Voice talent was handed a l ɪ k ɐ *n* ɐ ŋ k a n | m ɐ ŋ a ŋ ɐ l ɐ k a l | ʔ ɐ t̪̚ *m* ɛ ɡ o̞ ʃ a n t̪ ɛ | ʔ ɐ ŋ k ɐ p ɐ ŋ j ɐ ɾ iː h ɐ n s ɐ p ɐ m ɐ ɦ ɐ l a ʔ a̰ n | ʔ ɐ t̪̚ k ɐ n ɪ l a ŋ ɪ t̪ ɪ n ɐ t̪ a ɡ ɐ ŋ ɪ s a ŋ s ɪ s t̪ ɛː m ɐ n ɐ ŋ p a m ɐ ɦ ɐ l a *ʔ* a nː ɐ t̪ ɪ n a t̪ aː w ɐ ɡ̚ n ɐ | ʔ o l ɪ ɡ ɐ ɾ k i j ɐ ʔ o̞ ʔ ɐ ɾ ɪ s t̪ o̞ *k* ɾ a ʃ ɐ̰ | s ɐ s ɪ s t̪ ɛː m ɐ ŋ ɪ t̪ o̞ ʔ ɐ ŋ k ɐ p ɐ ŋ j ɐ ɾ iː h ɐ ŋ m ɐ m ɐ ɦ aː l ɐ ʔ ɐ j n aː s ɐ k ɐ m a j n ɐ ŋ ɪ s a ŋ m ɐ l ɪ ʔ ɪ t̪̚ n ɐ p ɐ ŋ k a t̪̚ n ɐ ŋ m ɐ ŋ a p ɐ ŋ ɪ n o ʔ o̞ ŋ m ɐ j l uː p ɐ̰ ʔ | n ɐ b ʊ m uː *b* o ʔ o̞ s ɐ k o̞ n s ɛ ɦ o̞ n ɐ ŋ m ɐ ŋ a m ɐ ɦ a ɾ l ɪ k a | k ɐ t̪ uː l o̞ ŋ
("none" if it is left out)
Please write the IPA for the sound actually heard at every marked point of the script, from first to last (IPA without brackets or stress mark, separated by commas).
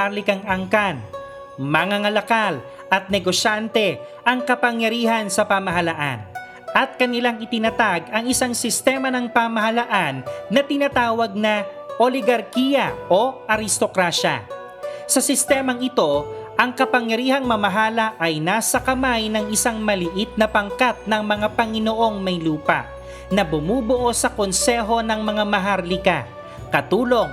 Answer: ŋ, n, ʔ, k, b